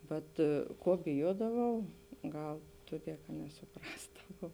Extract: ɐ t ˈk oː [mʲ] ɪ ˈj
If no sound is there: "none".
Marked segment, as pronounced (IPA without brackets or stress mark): bʲ